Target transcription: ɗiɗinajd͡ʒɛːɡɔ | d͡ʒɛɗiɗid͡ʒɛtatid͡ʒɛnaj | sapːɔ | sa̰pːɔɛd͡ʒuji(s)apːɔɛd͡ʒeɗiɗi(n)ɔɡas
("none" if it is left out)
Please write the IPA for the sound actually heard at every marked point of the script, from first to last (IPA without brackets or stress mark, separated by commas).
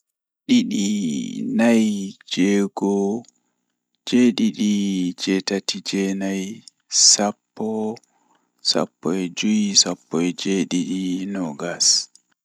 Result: s, n